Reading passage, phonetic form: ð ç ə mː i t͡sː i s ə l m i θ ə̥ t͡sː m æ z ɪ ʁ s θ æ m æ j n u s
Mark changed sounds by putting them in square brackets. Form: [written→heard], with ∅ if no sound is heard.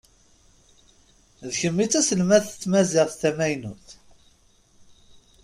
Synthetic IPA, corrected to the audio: ð ç ə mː i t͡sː [i→æ] s ə l m [i→æ] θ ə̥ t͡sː m æ z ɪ ʁ [s→θ] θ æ m æ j n u [s→θ]